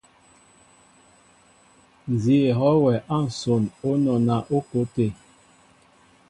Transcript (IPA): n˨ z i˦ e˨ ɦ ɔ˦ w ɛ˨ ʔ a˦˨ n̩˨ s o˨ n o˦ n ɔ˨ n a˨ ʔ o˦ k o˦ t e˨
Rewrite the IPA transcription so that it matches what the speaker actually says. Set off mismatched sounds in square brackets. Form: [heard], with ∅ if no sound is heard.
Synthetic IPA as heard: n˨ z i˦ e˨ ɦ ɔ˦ w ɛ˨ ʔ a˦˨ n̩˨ s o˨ n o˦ n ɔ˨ n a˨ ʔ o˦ k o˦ t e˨